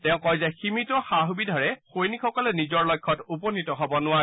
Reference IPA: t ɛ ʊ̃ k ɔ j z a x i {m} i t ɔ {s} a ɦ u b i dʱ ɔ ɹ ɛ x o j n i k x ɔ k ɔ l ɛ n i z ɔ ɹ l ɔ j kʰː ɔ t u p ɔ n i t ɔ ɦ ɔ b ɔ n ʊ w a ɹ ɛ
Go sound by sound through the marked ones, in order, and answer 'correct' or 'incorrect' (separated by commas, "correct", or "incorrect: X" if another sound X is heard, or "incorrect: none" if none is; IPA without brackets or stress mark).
correct, incorrect: x